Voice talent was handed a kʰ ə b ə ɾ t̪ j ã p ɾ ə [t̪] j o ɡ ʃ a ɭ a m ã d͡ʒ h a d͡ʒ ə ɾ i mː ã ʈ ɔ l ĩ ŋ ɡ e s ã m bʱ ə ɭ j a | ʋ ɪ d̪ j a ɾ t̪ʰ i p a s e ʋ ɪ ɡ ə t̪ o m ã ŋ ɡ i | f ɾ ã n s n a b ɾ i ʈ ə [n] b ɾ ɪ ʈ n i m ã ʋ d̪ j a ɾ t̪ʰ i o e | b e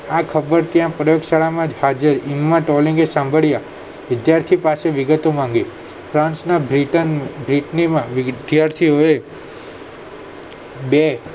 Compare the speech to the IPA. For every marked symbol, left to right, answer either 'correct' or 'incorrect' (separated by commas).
incorrect, correct